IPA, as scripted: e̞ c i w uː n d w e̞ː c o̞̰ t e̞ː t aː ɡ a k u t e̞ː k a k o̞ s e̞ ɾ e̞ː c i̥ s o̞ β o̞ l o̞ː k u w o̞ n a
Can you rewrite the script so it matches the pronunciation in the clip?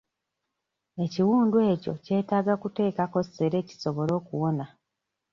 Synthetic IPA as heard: e̞ c i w uː n d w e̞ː c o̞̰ c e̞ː t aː ɡ a k u t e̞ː k a k o̞ s e̞ ɾ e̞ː c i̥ s o̞ β o̞ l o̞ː k u w o̞ n a